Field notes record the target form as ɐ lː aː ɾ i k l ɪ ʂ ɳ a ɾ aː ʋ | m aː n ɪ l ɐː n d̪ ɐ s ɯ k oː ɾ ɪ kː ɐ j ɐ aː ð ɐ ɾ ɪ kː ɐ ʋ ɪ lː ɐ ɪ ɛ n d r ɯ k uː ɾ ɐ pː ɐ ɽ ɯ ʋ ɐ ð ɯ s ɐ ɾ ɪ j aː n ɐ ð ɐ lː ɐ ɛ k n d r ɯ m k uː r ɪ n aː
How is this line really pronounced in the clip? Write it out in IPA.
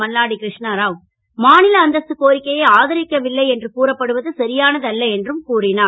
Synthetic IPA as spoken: ɐ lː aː ɽ i k ɾ ɪ ʂ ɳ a ɾ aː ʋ | m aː n ɪ l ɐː n d̪ ɐ s ɯ k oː ɾ ɪ kː ɐ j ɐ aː ð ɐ ɾ ɪ kː ɐ ʋ ɪ lː ɐ ɪ ɛ n d r ɯ k uː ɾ ɐ pː ɐ ɽ ɯ ʋ ɐ ð ɯ s ɐ ɾ ɪ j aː n ɐ ð ɐ lː ɐ ɛ n d r ɯ m k uː r ɪ n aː